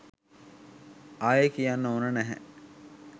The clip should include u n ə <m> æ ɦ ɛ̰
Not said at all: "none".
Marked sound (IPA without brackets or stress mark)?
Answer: n